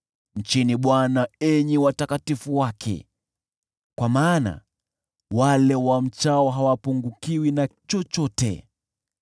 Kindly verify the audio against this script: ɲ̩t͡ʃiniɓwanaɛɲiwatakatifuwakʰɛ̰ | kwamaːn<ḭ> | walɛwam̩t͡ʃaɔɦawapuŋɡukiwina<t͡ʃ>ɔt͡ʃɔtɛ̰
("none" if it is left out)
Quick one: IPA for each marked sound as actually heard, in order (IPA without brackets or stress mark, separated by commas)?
a̰, t͡ʃ